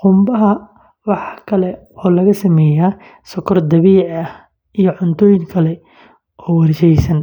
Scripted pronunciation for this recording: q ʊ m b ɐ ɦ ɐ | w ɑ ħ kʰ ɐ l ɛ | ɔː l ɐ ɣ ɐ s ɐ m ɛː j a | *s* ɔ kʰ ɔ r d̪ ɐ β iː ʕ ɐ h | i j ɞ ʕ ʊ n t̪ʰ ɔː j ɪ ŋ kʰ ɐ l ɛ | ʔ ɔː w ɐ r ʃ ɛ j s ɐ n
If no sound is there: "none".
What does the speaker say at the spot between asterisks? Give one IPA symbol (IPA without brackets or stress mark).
s